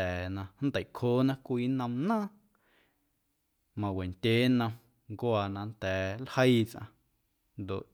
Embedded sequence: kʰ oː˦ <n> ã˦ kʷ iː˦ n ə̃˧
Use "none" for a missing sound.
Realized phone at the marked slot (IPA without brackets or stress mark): n